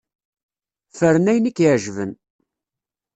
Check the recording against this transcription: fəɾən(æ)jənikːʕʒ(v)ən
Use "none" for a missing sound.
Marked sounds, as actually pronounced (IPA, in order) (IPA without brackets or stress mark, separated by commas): æ, v